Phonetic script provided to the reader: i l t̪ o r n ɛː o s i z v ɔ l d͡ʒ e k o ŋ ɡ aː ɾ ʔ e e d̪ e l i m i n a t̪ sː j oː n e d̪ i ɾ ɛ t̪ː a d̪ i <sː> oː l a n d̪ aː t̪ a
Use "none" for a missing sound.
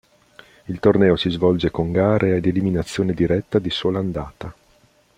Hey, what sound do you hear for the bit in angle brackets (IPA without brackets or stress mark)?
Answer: s